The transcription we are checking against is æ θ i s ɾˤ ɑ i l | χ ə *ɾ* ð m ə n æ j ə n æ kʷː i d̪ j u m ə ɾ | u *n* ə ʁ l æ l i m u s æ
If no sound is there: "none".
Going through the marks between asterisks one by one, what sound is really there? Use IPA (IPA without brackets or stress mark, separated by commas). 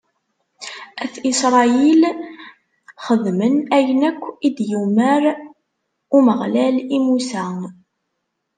none, m